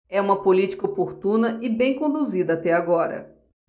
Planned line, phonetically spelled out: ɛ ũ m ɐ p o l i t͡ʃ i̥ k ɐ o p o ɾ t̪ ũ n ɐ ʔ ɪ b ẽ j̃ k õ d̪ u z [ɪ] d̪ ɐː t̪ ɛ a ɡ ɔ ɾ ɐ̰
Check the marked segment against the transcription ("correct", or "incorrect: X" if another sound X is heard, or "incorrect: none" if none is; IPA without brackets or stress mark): incorrect: i